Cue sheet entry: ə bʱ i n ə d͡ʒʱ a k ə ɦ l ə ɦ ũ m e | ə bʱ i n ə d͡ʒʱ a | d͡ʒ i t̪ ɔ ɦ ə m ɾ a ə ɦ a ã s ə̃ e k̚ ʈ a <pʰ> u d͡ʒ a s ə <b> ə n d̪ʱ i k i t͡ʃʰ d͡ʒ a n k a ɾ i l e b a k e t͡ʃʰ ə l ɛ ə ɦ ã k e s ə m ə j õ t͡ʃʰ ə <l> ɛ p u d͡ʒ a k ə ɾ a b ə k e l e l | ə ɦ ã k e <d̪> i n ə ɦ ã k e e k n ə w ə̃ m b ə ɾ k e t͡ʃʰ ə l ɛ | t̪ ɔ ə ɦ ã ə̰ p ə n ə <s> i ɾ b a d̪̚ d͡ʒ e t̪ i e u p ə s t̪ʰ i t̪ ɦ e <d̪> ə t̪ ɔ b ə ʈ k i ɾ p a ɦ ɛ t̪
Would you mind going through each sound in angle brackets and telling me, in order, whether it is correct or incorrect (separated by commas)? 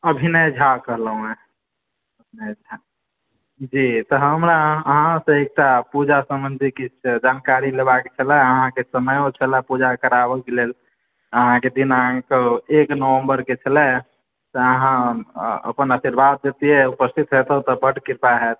incorrect, incorrect, correct, correct, correct, incorrect